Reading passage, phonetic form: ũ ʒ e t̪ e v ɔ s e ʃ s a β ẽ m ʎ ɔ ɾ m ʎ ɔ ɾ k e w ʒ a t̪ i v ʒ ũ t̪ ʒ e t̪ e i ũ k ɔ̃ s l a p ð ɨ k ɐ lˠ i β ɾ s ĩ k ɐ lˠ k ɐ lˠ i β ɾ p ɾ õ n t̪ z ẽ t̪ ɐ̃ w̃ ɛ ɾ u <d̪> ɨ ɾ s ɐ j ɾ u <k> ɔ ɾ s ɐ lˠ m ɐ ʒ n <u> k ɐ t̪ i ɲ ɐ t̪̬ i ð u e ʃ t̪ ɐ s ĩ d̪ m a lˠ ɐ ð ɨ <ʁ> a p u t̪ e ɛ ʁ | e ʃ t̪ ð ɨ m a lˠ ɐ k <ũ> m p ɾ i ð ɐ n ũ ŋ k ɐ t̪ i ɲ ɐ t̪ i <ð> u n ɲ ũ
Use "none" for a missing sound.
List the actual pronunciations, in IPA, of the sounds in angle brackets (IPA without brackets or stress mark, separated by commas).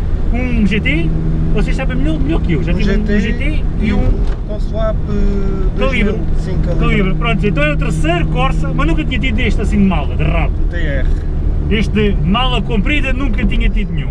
t̪, k, ũ, ʁ, õ, ð